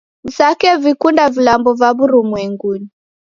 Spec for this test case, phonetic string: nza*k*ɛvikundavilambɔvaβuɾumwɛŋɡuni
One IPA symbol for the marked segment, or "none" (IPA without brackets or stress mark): k